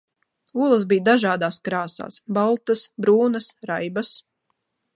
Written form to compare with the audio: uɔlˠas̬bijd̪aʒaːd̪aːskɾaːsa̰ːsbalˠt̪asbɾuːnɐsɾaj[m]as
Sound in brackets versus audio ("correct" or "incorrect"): incorrect